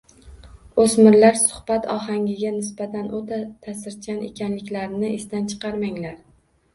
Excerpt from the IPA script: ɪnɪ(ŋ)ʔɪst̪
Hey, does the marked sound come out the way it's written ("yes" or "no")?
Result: no